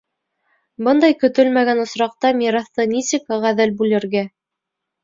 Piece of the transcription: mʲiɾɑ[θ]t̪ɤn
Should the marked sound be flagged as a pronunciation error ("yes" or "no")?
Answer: no